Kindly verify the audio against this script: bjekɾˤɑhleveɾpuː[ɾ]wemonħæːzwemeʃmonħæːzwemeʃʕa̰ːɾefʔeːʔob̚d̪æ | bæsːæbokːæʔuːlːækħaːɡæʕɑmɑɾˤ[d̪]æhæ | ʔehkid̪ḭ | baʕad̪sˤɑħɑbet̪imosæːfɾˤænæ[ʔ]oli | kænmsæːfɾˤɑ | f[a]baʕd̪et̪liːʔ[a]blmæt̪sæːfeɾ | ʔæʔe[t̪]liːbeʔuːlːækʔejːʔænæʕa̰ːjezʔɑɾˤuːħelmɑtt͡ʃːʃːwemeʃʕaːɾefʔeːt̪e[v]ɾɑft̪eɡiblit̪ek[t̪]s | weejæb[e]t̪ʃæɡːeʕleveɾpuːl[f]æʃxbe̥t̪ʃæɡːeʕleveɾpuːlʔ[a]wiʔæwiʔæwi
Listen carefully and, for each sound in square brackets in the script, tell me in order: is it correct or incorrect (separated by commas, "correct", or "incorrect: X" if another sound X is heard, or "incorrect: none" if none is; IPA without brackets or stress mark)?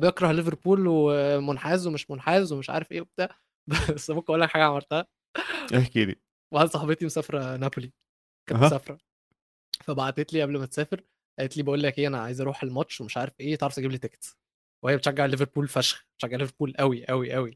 incorrect: l, incorrect: t̪, incorrect: p, incorrect: æ, incorrect: æ, correct, incorrect: ʕ, correct, correct, correct, incorrect: æ